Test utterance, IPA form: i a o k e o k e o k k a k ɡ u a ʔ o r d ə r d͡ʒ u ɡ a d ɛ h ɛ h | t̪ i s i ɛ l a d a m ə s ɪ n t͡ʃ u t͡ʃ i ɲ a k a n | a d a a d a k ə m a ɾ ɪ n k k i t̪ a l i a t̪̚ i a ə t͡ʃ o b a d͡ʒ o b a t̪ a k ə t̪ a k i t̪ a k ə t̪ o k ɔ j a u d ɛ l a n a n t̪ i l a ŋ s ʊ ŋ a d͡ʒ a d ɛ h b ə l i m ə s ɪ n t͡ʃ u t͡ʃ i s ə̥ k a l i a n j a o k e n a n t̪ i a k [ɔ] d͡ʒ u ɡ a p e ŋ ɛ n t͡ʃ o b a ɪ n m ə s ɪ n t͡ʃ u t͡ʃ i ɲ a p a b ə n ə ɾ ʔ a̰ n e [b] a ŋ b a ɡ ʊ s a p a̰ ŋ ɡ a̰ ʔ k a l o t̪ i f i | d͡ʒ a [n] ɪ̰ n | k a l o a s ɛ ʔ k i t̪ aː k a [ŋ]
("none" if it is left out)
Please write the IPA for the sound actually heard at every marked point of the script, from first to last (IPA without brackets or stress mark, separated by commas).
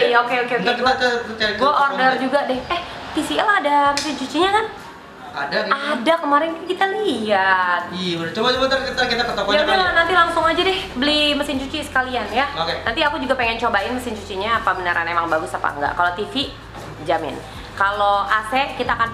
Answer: u, m, m, n